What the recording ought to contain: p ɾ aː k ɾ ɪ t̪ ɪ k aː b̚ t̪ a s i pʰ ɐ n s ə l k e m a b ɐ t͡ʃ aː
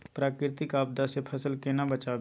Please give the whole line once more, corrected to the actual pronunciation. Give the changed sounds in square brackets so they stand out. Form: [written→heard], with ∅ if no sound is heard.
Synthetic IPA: p ɾ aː k ɾ ɪ t̪ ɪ k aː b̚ [t̪→d̪] a s [i→e] pʰ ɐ [n→∅] s ə l k e [m→n] a b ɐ t͡ʃ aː